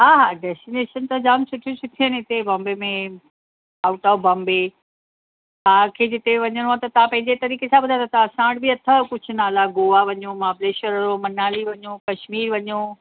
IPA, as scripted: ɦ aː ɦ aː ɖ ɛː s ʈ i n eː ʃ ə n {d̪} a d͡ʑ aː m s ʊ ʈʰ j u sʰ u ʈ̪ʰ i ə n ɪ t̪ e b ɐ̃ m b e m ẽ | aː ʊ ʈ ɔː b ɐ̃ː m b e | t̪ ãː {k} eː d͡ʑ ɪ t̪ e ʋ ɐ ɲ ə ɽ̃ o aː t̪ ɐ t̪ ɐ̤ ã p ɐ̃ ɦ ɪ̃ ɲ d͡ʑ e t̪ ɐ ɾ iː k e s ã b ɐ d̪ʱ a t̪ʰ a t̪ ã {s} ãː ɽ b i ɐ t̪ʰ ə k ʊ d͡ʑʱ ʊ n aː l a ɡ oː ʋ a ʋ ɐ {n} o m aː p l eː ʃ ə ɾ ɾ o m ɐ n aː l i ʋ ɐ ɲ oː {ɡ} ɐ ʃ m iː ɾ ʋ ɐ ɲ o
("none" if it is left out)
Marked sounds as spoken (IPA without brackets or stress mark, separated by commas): t̪, kʰ, s, ɲ, k